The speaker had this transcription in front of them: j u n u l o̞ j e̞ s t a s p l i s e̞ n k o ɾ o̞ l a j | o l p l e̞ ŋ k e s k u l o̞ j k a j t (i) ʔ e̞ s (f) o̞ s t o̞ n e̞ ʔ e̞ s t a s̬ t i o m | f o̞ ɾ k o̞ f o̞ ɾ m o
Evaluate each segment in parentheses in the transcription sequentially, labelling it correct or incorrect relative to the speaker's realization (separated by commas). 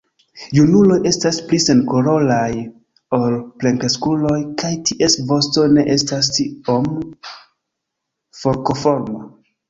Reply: correct, incorrect